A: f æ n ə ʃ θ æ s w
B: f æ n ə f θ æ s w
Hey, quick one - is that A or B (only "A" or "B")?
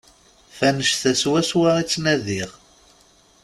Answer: A